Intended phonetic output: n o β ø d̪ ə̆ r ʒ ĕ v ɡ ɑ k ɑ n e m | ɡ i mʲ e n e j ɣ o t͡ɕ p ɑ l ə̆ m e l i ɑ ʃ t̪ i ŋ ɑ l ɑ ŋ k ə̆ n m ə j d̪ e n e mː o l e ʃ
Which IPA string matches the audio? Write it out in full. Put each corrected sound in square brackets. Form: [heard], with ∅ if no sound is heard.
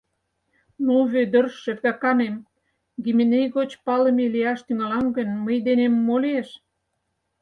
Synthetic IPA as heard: n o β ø d̪ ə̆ r [ʃ] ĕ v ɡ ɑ k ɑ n e m | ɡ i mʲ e n e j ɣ o t͡ɕ p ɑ l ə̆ m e l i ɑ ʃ t̪ [y] ŋ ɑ l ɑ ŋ [ɡ] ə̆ n m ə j d̪ e n e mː o l e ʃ